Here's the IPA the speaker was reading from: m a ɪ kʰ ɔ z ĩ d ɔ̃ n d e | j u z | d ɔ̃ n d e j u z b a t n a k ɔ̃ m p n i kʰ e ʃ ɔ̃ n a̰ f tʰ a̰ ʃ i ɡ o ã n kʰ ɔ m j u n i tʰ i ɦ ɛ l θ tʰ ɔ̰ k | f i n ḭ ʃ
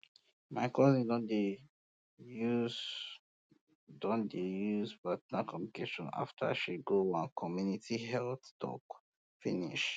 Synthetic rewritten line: m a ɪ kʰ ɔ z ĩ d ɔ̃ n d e | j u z | d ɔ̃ n d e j u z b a t n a k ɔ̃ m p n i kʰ e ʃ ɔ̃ n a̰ f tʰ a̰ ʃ i ɡ o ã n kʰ ɔ m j u n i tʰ i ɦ ɛ l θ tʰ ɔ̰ k | f i n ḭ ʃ